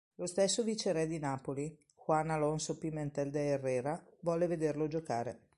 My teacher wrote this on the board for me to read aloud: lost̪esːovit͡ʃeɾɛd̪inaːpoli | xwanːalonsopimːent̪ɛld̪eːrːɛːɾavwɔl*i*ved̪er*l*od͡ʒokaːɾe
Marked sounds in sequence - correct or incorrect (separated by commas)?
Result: incorrect, correct